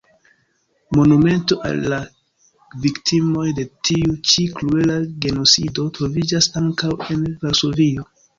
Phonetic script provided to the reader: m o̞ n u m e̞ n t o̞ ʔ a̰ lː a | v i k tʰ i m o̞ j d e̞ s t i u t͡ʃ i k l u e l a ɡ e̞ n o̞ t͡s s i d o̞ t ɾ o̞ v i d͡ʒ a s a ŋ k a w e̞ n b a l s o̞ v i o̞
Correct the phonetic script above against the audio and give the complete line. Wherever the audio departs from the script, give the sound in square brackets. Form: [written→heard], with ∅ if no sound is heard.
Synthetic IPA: m o̞ n u m e̞ n t o̞ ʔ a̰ lː a | v i k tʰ i m o̞ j d e̞ [s→∅] t i u t͡ʃ i k l u e l a ɡ e̞ n o̞ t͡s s i d o̞ t ɾ o̞ v i d͡ʒ a s a ŋ k a w e̞ n [b→v] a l s o̞ v i o̞